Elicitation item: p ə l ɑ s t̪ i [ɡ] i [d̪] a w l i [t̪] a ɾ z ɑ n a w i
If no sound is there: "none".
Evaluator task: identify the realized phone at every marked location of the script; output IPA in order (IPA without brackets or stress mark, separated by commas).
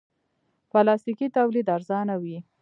k, t̪, d̪